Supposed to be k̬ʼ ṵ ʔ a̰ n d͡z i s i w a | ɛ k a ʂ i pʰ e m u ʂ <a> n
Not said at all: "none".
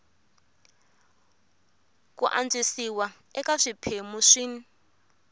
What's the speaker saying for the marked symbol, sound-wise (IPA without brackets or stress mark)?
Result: i